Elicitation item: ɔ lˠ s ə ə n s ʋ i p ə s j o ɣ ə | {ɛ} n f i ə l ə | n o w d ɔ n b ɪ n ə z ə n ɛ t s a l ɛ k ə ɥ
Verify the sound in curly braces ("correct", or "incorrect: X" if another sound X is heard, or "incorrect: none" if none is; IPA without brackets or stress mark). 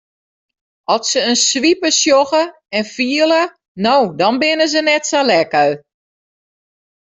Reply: correct